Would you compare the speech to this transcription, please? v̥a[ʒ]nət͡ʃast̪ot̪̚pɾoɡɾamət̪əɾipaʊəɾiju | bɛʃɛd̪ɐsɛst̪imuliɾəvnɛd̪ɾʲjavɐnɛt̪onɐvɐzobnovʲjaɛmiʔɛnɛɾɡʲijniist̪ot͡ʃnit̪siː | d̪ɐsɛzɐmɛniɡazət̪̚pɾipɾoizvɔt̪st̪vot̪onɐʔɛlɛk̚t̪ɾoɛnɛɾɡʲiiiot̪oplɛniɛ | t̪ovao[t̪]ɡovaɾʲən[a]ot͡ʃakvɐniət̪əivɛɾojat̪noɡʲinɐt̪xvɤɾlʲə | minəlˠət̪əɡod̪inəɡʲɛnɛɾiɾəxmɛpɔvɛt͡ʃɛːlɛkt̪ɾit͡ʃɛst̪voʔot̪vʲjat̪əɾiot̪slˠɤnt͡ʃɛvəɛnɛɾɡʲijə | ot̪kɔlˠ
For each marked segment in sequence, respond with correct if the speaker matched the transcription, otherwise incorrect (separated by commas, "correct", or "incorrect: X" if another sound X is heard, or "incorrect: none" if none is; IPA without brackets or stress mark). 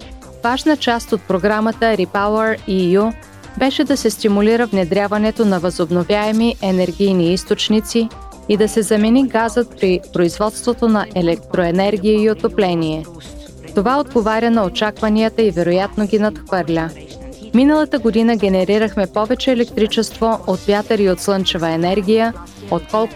correct, incorrect: d̪, incorrect: ɐ